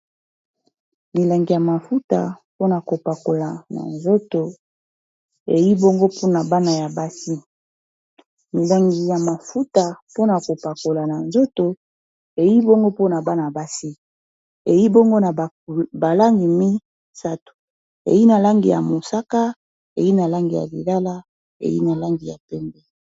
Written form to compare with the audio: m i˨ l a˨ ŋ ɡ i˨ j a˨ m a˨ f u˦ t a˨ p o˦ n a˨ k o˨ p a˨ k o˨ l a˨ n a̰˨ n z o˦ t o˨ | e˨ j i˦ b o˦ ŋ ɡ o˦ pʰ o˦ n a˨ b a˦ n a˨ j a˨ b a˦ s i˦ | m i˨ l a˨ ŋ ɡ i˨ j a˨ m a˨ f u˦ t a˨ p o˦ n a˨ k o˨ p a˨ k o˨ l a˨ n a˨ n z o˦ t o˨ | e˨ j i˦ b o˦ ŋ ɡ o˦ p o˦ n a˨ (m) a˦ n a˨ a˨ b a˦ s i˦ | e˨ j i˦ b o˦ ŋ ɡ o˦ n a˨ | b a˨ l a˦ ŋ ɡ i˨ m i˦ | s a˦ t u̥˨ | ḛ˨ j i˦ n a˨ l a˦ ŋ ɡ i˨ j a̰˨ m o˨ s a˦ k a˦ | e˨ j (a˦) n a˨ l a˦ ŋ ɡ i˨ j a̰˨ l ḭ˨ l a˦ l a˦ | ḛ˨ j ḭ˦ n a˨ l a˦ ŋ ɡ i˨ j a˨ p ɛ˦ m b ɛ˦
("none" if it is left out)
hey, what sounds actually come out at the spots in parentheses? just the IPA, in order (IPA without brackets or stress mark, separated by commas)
b, i˦